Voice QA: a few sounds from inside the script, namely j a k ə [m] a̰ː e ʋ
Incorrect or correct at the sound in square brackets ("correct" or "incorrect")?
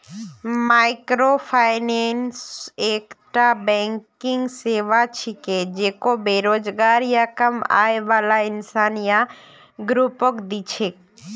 correct